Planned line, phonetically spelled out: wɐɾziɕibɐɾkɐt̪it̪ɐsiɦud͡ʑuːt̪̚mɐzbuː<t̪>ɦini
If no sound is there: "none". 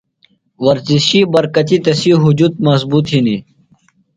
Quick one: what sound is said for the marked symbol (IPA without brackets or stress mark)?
t̪